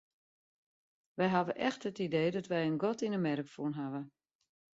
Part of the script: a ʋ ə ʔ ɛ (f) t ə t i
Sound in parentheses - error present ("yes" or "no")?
yes